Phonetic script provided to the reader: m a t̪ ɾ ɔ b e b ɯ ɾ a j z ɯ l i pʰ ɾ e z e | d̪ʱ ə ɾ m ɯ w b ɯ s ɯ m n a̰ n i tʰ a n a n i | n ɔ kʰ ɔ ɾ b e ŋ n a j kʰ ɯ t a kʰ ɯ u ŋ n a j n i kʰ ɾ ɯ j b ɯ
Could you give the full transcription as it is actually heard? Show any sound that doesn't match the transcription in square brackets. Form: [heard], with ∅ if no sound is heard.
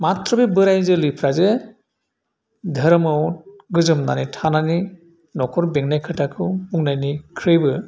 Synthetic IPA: m a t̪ ɾ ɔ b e b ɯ ɾ a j z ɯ l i pʰ ɾ [a] z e | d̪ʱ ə ɾ m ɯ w [ɡ] ɯ [z] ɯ m n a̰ n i tʰ a n a n i | n ɔ kʰ ɔ ɾ b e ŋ n a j kʰ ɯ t a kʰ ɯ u ŋ n a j n i kʰ ɾ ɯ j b ɯ